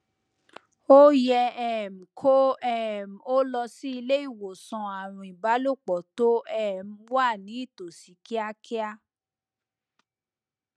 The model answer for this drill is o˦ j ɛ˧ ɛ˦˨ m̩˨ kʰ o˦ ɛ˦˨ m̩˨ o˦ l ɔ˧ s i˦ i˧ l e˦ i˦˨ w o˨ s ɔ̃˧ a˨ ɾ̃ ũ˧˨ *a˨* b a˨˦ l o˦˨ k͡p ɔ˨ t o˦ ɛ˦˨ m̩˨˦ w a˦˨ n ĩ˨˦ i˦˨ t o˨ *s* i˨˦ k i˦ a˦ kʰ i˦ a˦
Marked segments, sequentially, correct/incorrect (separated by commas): incorrect, correct